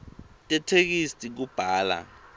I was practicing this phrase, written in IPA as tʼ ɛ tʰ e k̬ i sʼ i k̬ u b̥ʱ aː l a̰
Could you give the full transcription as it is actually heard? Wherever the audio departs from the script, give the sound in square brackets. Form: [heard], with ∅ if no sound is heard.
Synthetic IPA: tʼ ɛ tʰ e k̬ i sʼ i k̬ u b̥ʱ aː l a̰

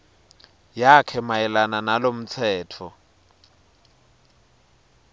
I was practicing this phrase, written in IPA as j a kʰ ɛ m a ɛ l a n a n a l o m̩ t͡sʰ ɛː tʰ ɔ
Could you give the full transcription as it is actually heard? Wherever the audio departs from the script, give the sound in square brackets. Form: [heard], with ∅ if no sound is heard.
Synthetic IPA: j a kʰ ɛ m a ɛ l a n a n a l o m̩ t͡sʰ ɛː tʰ ɔ

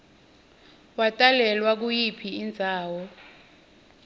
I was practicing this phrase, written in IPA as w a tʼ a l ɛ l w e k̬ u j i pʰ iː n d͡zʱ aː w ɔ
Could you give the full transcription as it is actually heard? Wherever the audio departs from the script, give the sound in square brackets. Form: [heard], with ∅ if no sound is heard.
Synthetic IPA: w a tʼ a l ɛ l w [a] k̬ u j i pʰ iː n d͡zʱ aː w ɔ

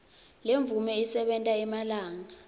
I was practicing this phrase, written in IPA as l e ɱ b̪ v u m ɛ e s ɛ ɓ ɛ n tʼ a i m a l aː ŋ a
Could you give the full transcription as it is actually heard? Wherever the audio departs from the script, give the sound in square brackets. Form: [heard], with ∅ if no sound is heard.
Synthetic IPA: l e ɱ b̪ v u m ɛ [i] s ɛ ɓ ɛ n tʼ a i m a l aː ŋ a

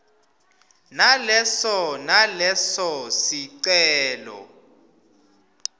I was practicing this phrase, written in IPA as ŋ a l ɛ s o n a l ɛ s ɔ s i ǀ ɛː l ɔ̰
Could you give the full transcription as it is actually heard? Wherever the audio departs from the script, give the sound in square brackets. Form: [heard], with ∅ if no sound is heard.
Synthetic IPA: [n] a l ɛ s [ɔ] n a l ɛ s ɔ s i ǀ ɛː l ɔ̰

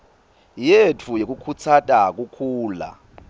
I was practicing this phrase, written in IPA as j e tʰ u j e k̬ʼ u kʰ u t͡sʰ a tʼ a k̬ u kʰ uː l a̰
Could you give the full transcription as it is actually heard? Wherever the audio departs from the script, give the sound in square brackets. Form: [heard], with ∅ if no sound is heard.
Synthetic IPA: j e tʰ u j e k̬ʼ u kʰ u t͡sʰ a tʼ a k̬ u kʰ uː l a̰

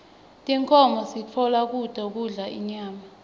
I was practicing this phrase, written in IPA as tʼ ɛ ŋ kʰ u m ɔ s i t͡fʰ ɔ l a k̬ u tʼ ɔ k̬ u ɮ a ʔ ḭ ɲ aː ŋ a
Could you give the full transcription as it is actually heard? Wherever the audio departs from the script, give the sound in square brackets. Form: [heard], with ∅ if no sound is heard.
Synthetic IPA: tʼ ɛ ŋ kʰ [ɔ] m ɔ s i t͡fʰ ɔ l a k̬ u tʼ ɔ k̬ u ɮ a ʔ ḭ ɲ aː [m] a

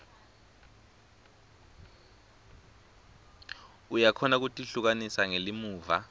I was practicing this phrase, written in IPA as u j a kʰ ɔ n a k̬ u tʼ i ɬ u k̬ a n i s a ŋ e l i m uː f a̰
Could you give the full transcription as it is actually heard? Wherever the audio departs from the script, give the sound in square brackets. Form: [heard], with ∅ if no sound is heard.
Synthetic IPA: u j a kʰ ɔ n a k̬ u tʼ i ɬ u k̬ a n i s a ŋ e l i m uː [v] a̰

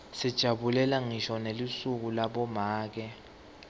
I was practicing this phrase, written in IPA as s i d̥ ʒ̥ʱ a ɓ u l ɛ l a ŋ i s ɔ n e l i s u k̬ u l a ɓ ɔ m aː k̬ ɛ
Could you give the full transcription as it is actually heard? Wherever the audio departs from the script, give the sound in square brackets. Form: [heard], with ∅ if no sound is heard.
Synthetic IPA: s i d̥ ʒ̥ʱ a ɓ u l ɛ l a ŋ i [ʃ] ɔ n e l i s u k̬ u l a ɓ ɔ m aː k̬ ɛ

